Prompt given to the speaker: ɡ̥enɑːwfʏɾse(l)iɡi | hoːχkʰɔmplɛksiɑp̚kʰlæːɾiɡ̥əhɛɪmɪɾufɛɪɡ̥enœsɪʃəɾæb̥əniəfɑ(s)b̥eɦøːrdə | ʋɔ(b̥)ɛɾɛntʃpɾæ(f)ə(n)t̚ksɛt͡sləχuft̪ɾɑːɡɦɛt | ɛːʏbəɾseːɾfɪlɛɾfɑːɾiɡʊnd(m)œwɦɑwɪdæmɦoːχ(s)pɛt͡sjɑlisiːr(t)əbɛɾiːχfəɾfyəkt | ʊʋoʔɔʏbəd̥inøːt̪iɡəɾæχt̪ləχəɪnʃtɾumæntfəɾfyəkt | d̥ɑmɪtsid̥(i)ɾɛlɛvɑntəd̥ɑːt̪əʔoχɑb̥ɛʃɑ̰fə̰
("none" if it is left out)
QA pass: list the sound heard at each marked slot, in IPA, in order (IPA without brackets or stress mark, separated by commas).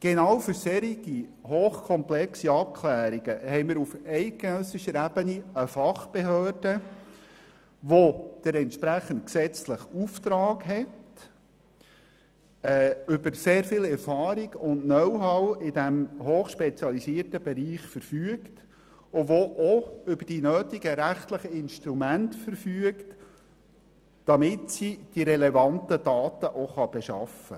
ɾ, χ, d̥, χ, n, n, ʃ, t, i